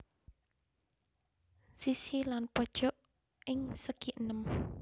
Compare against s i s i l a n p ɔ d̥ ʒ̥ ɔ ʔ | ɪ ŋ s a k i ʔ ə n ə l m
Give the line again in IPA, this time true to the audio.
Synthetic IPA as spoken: s i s i l a n p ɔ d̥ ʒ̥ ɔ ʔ | ɪ ŋ s ə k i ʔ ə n ə m